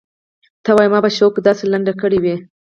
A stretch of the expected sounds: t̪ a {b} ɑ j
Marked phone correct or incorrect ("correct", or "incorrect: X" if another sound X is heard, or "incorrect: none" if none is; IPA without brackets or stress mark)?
incorrect: w